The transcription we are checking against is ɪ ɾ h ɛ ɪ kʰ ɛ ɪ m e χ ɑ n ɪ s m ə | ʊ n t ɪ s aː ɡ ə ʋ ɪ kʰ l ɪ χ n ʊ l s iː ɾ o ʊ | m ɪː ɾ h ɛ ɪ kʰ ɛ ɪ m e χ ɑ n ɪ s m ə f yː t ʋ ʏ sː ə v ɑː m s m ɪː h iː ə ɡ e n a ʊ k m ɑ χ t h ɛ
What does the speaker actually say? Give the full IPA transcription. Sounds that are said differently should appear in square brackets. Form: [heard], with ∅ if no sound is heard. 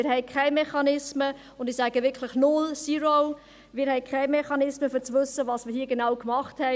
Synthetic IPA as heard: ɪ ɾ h ɛ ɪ kʰ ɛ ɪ m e χ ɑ n ɪ s m ə | ʊ n [d] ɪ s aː ɡ ə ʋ ɪ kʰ l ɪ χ n ʊ l s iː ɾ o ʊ | m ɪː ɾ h ɛ ɪ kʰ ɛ ɪ m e χ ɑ n ɪ s m ə f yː [t͡s] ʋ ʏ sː ə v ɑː [∅] s m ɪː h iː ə ɡ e n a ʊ k m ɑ χ t h ɛ